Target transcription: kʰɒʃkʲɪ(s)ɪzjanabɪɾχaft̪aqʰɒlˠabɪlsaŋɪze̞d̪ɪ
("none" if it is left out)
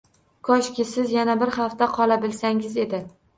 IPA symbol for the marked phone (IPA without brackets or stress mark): s